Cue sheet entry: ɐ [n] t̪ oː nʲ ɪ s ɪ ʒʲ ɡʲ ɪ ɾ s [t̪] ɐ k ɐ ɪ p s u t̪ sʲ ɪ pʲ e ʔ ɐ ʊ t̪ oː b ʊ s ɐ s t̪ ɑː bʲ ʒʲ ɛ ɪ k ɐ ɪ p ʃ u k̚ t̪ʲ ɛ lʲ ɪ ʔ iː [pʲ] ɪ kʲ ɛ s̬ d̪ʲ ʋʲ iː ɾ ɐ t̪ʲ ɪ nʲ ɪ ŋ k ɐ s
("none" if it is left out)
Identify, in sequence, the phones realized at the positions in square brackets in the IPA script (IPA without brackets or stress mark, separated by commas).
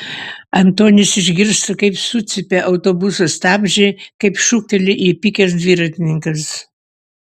n, t̪, pʲ